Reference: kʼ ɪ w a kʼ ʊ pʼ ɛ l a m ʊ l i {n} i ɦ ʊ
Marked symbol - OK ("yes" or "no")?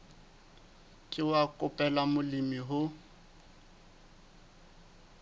no